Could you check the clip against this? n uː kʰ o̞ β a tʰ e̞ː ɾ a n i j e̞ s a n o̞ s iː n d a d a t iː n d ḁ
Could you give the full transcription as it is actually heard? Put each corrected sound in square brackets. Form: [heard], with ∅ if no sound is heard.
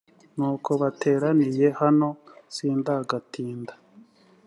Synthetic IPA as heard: n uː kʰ o̞ β a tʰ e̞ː ɾ a n i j e̞ [h] a n o̞ s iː n d a [ɡ] a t iː n d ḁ